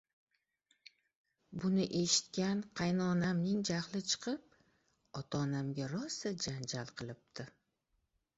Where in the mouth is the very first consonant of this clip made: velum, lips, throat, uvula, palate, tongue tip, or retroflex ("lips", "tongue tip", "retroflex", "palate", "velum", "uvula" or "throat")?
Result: lips